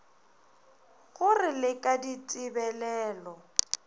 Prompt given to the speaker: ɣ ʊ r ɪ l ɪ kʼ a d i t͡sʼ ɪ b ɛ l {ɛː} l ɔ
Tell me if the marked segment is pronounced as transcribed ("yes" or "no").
yes